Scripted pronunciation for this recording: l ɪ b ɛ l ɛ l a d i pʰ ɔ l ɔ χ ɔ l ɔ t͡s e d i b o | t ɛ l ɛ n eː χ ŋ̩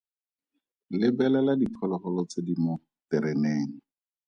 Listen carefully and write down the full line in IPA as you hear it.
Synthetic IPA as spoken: l ɪ b ɛ l ɛ l a d i pʰ ɔ l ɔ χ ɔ l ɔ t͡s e d i m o | t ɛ ɾ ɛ n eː ŋ̩